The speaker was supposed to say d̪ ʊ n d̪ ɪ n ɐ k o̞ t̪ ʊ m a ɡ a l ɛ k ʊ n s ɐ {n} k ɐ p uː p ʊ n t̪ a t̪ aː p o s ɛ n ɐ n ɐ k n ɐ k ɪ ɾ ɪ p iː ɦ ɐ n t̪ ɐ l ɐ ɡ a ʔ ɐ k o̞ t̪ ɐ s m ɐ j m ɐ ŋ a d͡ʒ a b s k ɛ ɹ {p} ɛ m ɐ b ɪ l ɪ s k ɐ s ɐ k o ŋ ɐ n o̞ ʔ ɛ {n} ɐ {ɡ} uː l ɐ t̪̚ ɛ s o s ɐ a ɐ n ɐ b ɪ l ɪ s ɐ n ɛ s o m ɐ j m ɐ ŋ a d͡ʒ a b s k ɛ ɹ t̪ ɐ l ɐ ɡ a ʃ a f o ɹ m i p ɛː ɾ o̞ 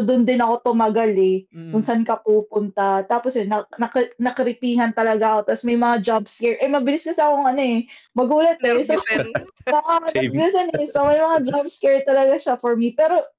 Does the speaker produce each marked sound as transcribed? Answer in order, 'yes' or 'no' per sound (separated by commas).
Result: yes, no, no, yes